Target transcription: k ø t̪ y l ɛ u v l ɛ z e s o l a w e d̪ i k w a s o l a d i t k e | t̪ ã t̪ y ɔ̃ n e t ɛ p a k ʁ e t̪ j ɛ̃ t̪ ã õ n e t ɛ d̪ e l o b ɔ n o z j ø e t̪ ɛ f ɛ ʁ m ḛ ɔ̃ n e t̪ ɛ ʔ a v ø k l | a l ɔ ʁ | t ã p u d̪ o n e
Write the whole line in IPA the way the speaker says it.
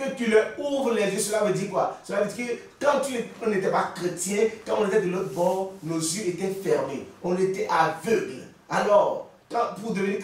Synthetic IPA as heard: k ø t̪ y l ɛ u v l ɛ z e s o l a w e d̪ i k w a s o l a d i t k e | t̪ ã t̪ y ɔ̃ n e t ɛ p a k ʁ e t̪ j ɛ̃ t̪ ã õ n e t ɛ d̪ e l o b ɔ n o z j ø e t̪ ɛ f ɛ ʁ m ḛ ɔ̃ n e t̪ ɛ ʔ a v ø ɡ l | a l ɔ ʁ | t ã p u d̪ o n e